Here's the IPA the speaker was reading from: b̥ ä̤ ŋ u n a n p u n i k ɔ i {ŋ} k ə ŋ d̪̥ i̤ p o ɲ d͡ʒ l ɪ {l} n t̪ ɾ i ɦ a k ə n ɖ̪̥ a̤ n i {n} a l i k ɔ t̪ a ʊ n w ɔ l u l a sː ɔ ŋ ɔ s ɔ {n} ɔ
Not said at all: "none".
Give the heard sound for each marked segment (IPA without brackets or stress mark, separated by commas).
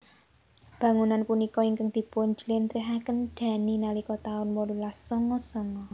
ŋ, none, n, ŋ